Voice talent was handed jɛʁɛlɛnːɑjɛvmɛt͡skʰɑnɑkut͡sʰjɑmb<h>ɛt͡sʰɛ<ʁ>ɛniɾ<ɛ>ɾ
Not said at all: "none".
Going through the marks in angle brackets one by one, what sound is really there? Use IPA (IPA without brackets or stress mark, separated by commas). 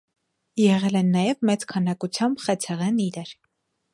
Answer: χ, ʁ, ɛ